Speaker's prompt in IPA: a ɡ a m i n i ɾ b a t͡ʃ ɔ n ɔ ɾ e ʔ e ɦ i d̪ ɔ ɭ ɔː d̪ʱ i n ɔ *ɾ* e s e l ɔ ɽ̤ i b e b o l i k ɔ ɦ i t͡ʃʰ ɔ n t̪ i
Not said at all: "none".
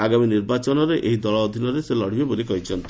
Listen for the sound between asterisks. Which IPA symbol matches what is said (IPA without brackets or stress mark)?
ɾ